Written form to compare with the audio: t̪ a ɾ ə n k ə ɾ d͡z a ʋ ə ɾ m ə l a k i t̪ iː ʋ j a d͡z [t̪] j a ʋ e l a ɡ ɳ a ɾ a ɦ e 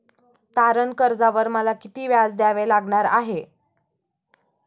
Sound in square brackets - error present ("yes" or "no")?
yes